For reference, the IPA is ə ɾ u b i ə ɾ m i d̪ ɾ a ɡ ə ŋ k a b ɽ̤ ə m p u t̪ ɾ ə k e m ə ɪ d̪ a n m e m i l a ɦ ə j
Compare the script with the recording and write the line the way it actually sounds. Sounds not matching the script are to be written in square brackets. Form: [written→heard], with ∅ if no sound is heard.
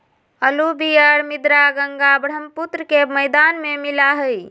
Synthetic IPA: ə [ɾ→l] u b i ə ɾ m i d̪ ɾ a ɡ ə ŋ [k→ɡ] a b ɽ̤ ə m p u t̪ ɾ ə k e m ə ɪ d̪ a n m e m i l a ɦ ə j